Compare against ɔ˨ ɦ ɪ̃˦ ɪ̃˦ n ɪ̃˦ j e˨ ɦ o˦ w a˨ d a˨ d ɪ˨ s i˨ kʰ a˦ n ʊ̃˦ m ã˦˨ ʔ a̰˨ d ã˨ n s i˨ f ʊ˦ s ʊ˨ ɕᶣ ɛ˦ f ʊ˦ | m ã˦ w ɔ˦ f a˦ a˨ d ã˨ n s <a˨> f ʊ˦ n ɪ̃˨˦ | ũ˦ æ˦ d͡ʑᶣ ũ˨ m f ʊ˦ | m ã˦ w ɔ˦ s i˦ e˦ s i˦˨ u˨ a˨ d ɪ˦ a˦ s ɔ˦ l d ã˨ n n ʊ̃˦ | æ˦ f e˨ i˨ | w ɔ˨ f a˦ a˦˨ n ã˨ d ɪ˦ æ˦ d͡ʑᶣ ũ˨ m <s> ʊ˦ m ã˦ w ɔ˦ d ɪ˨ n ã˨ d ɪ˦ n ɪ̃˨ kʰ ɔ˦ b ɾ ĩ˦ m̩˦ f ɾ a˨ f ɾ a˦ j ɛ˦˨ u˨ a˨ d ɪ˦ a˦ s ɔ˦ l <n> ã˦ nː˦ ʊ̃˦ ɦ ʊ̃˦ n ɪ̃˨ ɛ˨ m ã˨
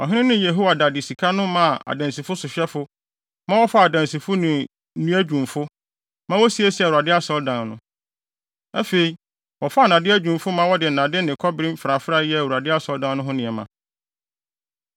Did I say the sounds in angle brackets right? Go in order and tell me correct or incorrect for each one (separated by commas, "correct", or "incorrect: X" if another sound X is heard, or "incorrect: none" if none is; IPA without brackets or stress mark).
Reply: incorrect: i˨, incorrect: f, incorrect: d